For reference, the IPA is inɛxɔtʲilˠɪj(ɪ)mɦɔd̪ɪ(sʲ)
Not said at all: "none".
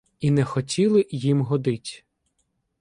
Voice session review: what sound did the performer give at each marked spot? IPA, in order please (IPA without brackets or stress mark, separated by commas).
i, tʲ